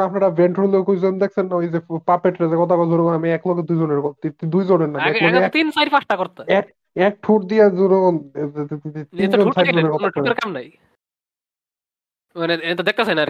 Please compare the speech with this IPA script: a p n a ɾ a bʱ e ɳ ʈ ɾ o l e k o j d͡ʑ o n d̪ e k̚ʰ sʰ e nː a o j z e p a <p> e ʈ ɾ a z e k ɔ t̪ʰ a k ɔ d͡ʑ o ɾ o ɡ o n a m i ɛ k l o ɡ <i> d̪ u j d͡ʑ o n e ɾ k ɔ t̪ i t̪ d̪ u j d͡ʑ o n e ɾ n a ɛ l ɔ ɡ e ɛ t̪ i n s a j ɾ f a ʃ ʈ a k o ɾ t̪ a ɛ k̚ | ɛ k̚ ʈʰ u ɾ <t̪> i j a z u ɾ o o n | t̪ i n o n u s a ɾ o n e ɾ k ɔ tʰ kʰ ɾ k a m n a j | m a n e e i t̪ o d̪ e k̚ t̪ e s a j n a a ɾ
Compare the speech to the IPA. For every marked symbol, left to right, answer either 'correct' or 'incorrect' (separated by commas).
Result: correct, incorrect, incorrect